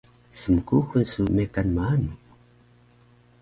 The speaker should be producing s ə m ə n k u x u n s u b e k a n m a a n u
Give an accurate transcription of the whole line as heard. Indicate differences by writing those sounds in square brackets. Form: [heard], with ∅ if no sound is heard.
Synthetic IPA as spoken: s ə m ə [∅] k u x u n s u [m] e k a n m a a n u